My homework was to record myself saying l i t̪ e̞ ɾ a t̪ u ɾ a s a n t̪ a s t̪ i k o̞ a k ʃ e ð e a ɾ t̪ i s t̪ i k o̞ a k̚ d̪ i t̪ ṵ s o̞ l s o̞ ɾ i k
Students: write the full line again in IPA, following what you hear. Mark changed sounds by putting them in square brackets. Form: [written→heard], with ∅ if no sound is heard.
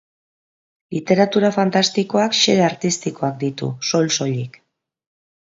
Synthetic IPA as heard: l i t̪ e̞ ɾ a t̪ u ɾ a [s→f] a n t̪ a s t̪ i k o̞ a k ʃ e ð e a ɾ t̪ i s t̪ i k o̞ a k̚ d̪ i t̪ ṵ s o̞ l s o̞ [ɾ→ʎ] i k